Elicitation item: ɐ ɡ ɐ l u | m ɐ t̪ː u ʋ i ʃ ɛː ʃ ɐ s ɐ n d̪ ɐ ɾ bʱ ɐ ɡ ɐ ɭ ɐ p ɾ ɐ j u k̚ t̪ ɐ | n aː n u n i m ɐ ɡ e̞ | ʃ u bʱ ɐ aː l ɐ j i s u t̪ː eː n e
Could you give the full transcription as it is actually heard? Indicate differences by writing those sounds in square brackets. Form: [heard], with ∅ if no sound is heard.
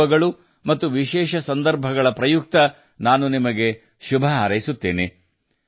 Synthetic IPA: ɐ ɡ ɐ [ɭ] u | m ɐ t̪ː u ʋ i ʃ ɛː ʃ ɐ s ɐ n d̪ ɐ ɾ bʱ ɐ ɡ ɐ ɭ ɐ p ɾ ɐ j u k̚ t̪ ɐ | n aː n u n i m ɐ ɡ e̞ | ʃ u bʱ ɐ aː [ɾ] ɐ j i s u t̪ː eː n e